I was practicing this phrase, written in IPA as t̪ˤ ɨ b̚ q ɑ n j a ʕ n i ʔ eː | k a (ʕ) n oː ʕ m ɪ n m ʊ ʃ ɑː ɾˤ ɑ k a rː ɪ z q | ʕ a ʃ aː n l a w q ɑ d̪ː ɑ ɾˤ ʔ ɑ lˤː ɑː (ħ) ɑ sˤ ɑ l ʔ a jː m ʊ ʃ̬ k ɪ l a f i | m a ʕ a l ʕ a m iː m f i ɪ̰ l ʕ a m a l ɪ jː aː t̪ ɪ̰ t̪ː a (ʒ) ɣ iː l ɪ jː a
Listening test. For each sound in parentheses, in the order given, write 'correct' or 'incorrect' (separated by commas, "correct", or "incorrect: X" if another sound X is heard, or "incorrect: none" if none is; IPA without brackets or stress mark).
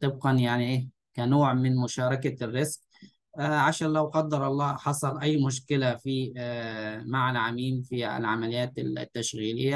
incorrect: none, correct, incorrect: ʃ